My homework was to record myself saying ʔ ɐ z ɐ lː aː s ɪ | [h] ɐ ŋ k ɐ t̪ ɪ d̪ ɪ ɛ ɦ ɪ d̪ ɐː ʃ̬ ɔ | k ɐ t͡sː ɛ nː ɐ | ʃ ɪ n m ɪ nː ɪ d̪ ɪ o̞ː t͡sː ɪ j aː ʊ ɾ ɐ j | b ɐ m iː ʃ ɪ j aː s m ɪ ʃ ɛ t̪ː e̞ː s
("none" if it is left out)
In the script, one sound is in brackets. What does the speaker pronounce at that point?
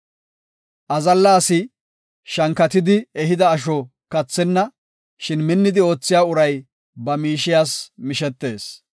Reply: ʃ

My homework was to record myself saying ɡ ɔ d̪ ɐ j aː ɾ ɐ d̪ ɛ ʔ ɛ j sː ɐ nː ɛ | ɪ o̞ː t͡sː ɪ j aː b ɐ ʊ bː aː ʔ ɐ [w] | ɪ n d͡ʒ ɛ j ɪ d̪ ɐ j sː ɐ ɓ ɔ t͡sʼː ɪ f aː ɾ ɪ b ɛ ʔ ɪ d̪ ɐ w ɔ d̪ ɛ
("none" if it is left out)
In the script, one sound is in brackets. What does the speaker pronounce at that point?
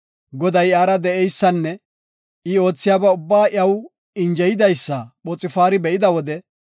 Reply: w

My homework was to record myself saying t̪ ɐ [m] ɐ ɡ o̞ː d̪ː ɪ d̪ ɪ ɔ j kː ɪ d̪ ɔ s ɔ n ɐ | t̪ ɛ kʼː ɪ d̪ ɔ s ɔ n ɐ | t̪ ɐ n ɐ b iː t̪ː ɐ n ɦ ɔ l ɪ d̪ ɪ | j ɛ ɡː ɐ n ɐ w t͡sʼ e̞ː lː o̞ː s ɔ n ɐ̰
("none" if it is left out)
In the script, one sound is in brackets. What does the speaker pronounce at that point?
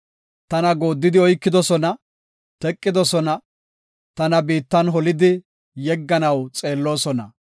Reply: n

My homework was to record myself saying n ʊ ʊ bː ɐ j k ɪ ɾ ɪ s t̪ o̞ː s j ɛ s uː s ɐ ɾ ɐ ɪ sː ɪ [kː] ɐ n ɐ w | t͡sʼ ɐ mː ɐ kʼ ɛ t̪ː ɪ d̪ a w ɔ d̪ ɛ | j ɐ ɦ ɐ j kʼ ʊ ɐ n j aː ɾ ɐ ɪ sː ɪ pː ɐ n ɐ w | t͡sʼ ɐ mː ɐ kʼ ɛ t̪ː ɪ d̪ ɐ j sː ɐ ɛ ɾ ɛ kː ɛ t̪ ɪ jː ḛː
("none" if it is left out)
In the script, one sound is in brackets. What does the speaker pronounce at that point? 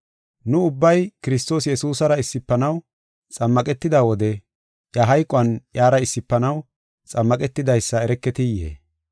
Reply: pː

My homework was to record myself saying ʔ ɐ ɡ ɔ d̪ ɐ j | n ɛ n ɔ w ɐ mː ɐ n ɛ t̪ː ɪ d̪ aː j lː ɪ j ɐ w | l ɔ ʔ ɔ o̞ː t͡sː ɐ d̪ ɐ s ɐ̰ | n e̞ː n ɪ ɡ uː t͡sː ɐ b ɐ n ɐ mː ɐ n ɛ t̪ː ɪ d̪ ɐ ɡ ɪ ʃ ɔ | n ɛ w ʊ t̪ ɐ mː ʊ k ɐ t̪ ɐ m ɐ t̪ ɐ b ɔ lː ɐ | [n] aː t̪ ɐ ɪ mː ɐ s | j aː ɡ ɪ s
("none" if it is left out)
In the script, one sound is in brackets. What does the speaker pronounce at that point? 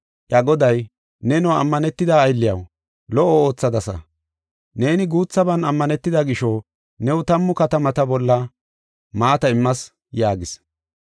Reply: m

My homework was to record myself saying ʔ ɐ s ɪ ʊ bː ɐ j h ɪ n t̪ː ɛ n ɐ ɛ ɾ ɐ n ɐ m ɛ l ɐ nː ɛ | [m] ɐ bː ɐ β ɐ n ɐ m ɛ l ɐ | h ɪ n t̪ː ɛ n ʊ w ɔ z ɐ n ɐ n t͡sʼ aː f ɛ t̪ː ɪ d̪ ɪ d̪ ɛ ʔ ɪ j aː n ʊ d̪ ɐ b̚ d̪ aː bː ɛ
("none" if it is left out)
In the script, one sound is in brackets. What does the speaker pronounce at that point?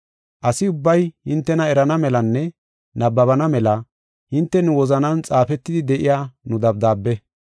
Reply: n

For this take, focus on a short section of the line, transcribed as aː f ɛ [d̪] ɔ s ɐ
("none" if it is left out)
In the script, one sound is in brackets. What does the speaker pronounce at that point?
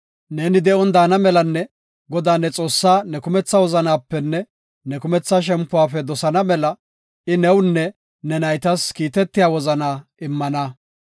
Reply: d̪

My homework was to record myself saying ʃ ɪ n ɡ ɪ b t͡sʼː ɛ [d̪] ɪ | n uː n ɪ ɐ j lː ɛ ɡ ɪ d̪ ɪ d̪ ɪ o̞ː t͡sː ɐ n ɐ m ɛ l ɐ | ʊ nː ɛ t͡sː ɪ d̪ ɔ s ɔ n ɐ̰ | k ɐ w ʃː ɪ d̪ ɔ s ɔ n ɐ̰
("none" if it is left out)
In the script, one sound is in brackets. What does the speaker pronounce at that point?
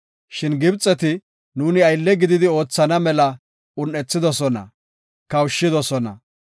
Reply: t̪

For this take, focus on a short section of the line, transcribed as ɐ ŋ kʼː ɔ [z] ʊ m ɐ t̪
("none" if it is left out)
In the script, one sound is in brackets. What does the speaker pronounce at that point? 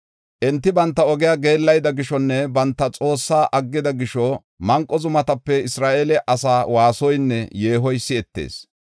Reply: z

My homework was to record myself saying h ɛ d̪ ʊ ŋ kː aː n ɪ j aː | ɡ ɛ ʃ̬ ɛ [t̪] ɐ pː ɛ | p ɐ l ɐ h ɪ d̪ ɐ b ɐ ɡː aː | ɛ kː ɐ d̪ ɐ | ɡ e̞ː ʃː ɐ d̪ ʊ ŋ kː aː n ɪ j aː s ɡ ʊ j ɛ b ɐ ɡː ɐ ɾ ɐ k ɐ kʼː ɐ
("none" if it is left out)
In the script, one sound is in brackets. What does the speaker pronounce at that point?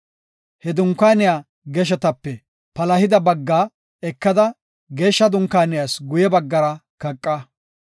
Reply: t̪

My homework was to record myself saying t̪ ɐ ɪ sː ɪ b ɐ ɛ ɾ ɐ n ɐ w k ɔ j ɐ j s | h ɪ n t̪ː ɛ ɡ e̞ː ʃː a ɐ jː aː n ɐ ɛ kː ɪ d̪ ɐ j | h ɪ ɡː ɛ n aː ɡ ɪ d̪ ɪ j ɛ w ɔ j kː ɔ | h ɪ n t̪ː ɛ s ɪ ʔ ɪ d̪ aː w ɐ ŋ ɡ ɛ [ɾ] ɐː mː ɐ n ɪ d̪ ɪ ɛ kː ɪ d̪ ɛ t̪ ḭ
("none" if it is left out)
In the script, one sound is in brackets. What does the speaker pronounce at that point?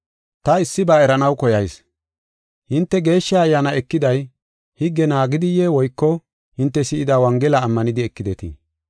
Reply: l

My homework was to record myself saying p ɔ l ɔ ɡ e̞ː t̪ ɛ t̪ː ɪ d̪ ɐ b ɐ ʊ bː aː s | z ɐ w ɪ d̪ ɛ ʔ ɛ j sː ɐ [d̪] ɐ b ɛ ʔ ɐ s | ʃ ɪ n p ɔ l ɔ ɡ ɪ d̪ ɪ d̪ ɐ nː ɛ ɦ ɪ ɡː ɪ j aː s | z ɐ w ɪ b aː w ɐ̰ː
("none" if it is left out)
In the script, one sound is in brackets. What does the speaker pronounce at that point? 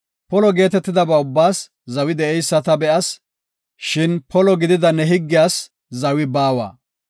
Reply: t̪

